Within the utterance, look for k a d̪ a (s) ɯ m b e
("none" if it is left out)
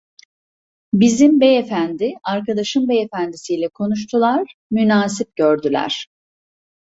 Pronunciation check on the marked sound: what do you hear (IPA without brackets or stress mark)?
ʃ